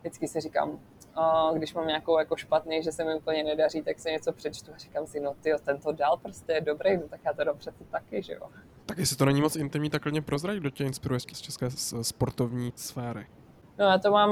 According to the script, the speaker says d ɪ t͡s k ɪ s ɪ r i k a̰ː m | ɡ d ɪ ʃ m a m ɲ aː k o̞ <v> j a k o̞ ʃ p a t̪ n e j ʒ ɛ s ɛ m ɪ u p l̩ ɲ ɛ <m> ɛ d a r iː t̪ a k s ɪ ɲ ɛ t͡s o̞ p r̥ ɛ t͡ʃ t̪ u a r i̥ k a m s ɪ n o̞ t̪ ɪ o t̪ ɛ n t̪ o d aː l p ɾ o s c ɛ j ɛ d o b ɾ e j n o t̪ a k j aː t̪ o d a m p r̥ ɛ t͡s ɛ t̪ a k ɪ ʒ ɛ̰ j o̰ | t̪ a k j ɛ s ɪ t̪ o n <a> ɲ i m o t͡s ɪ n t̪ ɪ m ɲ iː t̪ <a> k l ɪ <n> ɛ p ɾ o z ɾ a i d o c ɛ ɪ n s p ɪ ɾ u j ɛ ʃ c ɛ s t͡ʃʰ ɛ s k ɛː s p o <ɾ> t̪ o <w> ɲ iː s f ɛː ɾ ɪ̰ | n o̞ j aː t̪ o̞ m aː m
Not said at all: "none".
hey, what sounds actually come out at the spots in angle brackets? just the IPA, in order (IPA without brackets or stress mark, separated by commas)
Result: w, n, ɛ, a, ɲ, ɾ, v